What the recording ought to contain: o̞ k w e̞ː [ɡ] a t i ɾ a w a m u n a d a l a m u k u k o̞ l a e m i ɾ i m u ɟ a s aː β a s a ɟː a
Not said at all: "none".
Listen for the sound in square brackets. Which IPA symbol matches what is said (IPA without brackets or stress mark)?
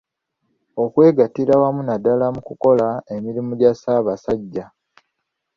ɡ